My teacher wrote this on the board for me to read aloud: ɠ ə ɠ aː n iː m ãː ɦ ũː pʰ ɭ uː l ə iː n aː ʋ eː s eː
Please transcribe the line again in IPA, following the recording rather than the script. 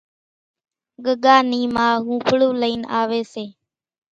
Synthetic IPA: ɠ ə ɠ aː n iː m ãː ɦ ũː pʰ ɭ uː l ə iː n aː ʋ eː s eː